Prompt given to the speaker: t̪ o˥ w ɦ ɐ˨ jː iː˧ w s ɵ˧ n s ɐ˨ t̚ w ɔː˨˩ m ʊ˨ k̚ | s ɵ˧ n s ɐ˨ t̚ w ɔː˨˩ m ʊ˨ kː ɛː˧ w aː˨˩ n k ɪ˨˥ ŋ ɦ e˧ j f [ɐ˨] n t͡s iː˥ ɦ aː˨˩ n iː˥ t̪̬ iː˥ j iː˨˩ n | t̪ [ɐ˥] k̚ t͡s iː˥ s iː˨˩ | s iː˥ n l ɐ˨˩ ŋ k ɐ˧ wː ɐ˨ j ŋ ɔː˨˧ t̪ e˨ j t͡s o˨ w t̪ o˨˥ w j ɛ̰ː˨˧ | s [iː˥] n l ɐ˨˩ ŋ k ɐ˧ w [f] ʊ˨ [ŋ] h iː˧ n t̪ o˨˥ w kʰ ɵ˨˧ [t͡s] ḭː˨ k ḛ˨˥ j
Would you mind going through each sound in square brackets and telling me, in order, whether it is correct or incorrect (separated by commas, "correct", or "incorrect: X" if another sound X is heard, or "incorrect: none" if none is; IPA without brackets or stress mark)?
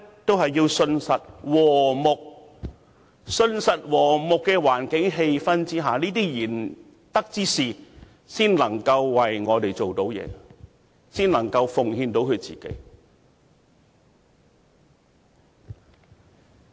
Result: incorrect: ɐ˥, correct, correct, correct, correct, correct